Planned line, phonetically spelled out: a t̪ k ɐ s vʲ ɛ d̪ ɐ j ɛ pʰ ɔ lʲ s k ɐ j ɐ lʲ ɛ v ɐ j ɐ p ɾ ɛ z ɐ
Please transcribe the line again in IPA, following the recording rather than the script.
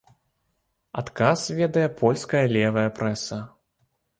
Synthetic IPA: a t̪ k a s vʲ ɛ d̪ ɐ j ɛ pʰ ɔ lʲ s k ɐ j ɐ lʲ ɛ v ɐ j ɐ p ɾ ɛ s ɐ